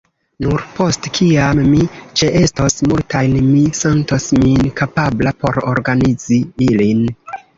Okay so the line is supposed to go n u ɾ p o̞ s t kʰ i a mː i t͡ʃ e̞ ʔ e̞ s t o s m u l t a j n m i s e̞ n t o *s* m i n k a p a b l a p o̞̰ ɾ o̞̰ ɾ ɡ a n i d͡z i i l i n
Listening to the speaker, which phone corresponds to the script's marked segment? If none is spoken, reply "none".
s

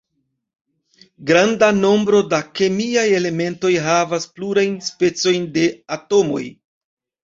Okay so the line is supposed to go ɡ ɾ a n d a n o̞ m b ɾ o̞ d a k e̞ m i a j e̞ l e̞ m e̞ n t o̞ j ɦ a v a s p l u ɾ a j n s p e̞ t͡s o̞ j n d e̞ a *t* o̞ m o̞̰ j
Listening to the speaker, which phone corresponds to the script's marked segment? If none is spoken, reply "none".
t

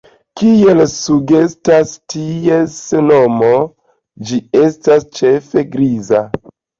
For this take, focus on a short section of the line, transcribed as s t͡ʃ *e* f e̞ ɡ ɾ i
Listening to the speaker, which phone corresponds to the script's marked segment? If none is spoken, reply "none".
e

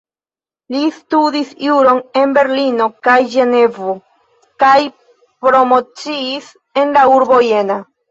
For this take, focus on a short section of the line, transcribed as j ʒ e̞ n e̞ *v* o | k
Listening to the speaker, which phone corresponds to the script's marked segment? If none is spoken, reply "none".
v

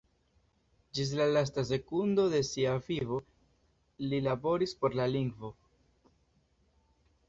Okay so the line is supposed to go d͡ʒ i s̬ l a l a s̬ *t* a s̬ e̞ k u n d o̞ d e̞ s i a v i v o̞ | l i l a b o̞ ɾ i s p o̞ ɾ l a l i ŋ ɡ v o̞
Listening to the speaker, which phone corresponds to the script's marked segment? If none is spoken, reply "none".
t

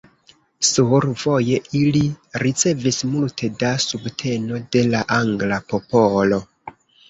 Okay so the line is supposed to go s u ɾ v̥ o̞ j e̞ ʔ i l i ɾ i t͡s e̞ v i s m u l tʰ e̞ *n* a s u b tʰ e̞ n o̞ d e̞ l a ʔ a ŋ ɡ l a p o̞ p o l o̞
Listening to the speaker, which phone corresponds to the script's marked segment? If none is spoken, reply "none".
d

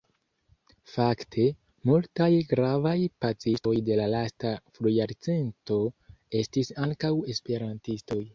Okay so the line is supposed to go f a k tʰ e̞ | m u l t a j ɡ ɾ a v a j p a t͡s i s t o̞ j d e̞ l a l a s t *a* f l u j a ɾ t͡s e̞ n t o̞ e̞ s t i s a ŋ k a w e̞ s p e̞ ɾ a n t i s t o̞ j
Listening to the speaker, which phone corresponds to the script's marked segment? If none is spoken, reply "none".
a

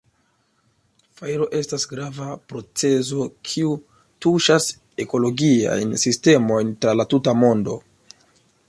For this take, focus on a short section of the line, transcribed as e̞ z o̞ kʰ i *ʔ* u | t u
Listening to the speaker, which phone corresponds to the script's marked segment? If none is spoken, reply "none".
none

